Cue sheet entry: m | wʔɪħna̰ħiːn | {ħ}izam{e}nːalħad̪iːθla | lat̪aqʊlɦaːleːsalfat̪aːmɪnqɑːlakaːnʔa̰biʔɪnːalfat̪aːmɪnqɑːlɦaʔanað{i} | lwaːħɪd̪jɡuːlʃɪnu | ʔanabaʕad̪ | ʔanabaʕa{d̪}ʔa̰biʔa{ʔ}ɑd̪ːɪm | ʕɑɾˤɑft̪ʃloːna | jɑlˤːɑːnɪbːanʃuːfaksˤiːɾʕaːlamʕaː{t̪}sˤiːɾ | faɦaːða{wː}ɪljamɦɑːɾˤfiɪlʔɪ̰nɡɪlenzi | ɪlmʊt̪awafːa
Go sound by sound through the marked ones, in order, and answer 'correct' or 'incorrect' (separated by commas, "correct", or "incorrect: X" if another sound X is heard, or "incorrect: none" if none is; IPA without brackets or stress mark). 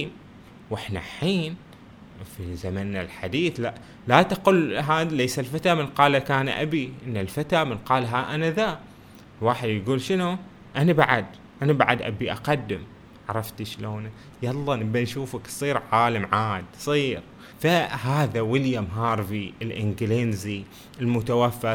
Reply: incorrect: f, incorrect: a, incorrect: a, correct, incorrect: q, incorrect: d̪, incorrect: w